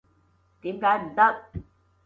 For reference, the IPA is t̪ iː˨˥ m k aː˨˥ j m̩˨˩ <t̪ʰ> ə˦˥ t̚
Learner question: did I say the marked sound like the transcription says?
no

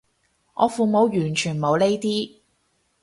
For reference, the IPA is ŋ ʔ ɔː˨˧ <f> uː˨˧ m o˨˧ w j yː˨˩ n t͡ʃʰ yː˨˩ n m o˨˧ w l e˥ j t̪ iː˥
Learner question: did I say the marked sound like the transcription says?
yes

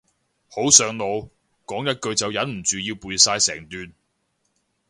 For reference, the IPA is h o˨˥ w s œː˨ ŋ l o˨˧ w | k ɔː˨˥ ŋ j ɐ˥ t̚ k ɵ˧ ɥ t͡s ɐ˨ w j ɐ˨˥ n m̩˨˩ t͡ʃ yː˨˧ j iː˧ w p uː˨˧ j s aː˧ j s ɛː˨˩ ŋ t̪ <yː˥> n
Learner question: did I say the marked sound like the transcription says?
no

